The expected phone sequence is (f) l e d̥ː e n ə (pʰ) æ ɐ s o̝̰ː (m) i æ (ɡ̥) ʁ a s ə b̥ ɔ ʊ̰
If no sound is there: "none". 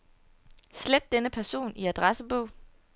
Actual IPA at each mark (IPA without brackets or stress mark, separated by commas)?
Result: s, pʰ, n, d̥